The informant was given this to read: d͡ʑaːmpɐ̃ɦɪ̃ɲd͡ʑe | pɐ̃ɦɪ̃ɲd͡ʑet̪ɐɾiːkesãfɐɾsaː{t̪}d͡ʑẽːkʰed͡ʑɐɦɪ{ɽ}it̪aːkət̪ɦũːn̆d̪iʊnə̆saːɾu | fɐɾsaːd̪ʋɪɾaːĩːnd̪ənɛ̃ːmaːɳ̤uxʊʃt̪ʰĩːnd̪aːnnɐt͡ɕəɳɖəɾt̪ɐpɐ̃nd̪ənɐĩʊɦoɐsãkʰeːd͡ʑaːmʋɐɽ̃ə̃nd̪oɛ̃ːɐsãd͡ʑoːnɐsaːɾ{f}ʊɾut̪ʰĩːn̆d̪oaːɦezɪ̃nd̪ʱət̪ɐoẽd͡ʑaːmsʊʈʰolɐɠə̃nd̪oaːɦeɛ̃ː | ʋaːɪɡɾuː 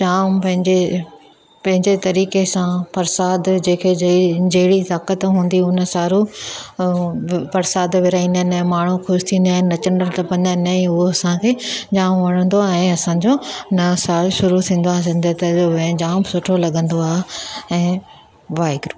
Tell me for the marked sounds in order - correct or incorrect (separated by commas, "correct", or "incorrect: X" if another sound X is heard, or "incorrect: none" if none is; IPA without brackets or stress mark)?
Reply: incorrect: d̪, correct, incorrect: ʃ